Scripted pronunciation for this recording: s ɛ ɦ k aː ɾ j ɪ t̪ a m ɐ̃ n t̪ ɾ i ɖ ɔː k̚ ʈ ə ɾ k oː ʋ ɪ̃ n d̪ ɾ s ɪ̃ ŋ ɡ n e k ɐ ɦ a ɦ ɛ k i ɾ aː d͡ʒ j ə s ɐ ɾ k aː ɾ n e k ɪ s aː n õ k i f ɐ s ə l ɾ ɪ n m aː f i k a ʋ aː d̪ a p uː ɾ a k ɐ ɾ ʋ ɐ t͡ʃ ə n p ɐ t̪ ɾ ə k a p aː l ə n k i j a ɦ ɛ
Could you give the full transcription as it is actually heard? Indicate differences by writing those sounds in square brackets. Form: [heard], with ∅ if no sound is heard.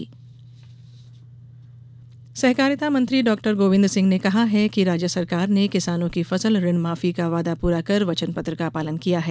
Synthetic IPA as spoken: s ɛ ɦ k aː ɾ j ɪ t̪ a m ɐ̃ n t̪ ɾ i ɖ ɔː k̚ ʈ ə ɾ [ɡ] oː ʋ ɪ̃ n d̪ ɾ s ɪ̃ ŋ ɡ n e k ɐ ɦ a ɦ ɛ k i ɾ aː d͡ʒ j ə s ɐ ɾ k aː ɾ n e k ɪ s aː n õ k i f ɐ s ə l ɾ ɪ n m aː f i k a ʋ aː d̪ a p uː ɾ a k ɐ ɾ ʋ ɐ t͡ʃ ə n p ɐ t̪ ɾ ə k a p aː l ə n k i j a ɦ ɛ